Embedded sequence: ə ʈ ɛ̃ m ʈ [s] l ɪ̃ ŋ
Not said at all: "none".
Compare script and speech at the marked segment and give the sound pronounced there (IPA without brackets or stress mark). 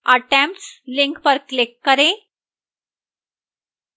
s